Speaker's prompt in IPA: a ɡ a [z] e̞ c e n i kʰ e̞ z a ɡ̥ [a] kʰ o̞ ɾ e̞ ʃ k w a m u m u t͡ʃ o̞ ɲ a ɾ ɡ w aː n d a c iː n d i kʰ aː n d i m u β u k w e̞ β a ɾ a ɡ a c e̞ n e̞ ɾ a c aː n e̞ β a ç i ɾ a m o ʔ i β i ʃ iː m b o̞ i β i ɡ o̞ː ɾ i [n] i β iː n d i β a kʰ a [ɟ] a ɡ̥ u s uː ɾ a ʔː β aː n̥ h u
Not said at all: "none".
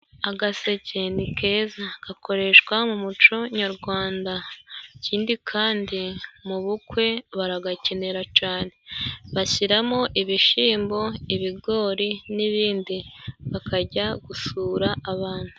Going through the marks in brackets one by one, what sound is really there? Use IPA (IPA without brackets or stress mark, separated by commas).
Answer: s, a, n, ɟ